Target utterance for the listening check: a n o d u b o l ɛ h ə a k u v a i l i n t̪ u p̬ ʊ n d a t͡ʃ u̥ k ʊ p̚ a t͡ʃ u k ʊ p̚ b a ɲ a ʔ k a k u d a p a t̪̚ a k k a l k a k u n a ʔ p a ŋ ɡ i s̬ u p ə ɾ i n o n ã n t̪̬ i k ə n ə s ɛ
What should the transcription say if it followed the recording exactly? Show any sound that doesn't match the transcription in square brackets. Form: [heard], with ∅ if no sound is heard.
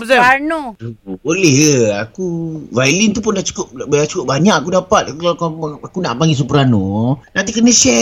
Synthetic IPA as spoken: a n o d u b o l ɛ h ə a k u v a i l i n t̪ u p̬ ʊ n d a t͡ʃ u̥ k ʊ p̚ a t͡ʃ u k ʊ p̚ b a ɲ a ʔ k a k u d a p a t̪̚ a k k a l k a k u n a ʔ p a ŋ ɡ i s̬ u p ə ɾ [a] n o n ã n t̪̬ i k ə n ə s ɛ